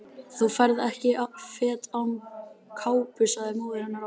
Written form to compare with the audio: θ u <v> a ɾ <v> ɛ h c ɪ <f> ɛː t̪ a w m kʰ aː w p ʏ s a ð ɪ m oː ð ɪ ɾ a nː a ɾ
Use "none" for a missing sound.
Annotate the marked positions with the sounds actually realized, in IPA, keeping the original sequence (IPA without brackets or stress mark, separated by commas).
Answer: f, ð, f